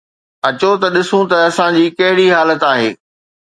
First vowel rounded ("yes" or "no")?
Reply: no